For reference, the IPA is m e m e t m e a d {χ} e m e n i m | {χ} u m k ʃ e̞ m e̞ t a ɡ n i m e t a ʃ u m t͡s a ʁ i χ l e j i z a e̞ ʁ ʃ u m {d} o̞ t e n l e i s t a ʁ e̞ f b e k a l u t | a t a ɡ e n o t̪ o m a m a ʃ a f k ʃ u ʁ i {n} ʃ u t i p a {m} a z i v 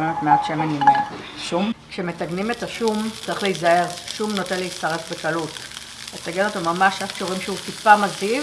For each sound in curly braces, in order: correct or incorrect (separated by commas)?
incorrect, incorrect, incorrect, incorrect, correct